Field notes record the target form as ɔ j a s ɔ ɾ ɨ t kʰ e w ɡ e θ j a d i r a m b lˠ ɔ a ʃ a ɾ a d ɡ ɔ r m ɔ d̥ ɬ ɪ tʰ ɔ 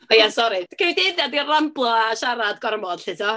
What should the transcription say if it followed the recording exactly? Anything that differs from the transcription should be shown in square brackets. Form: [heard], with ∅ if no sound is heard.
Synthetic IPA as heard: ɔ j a s ɔ ɾ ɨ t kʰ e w [d] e [ð] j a d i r a m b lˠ ɔ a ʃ a ɾ a d ɡ ɔ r m ɔ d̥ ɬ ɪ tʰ ɔ